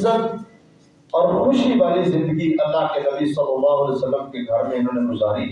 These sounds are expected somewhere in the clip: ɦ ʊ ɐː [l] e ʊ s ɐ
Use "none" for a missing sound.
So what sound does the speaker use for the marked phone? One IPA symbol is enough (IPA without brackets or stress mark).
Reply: l